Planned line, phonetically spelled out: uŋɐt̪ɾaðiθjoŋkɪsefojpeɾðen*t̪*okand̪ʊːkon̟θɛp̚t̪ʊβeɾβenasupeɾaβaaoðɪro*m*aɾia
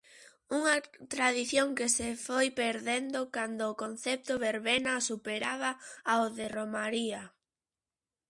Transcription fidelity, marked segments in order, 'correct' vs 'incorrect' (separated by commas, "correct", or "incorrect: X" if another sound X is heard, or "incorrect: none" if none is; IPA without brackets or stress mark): incorrect: d̪, correct